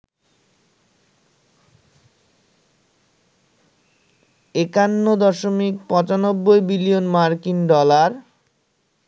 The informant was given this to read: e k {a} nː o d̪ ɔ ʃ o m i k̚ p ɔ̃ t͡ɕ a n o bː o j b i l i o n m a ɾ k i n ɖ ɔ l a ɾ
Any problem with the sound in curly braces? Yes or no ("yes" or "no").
no